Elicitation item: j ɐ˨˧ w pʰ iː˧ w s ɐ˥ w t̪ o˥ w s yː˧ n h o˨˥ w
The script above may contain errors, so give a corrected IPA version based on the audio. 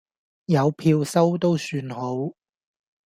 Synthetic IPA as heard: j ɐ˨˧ w pʰ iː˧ w s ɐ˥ w t̪ o˥ w s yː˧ n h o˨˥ w